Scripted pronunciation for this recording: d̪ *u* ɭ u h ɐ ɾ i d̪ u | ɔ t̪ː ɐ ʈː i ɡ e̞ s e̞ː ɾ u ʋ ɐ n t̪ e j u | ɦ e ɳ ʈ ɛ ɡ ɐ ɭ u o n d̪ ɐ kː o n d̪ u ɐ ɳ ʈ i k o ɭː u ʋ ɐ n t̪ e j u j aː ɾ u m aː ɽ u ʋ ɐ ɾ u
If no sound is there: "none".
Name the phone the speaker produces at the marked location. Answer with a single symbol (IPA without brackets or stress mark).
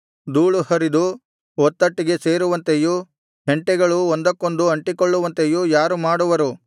uː